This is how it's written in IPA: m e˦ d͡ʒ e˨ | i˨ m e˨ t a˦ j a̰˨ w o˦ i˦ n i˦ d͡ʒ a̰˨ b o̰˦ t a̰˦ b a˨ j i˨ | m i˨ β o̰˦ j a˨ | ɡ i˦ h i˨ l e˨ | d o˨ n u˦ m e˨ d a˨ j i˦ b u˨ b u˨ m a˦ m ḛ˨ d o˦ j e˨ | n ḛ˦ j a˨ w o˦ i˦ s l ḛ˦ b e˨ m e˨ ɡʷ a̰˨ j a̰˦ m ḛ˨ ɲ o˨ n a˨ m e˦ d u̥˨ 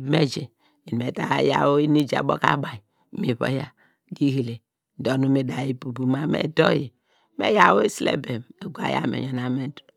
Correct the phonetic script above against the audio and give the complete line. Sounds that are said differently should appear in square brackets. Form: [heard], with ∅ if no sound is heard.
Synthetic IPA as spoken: m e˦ d͡ʒ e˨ | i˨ m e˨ t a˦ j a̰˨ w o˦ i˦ n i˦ d͡ʒ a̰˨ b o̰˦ [k] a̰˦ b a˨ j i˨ | m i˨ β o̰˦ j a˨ | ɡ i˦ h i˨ l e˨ | d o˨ n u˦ m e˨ d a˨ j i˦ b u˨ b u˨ m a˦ m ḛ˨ d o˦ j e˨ | [m] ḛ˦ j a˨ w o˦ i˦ s l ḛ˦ b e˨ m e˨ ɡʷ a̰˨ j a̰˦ m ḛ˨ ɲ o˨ n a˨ m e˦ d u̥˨